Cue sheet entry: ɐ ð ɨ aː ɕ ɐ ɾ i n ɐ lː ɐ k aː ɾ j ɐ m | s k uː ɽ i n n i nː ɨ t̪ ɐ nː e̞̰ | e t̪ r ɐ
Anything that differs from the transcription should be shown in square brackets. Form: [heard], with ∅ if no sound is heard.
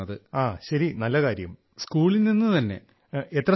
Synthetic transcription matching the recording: ɐ ð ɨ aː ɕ ɐ ɾ i n ɐ lː ɐ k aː ɾ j ɐ m | s k uː [ɭ] i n n i nː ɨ t̪ ɐ nː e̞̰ | e t̪ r ɐ